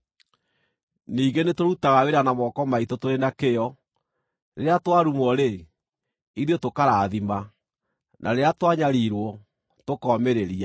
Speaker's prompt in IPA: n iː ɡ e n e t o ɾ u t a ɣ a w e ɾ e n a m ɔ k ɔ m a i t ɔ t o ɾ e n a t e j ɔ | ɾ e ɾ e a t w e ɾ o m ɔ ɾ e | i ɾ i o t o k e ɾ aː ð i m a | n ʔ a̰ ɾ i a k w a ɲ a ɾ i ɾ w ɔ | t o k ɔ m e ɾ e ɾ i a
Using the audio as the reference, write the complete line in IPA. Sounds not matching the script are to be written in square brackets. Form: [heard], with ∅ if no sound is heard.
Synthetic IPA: n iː ɡ e n e t o ɾ u t a ɣ a w e ɾ [a] n a m ɔ k ɔ m a i t [o] t o ɾ e n a [k] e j ɔ | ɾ e ɾ e a t w [a] ɾ [u] m ɔ ɾ e | i ɾ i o t o k [a] ɾ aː ð i m a | n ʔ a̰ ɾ [e] a [t] w a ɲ a ɾ i ɾ w ɔ | t o k ɔ m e ɾ e ɾ i a